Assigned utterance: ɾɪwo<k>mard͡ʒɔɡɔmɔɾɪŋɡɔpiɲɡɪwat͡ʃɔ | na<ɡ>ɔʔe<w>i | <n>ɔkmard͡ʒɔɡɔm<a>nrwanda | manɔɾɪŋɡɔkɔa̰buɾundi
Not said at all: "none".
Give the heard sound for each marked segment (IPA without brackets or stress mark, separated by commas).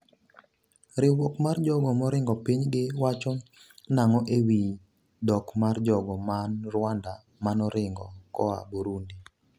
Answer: k, ŋ, w, d, a